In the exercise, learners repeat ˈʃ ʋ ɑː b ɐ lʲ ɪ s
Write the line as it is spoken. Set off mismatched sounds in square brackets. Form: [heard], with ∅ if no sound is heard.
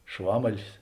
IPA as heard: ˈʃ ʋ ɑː [m] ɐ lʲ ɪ s